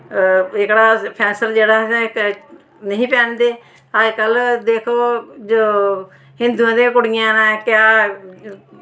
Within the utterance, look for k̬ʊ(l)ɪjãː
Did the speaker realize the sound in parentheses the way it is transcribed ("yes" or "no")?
no